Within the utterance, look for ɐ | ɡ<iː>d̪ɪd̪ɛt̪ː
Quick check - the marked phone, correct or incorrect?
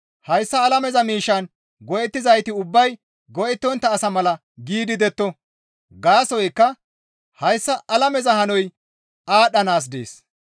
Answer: correct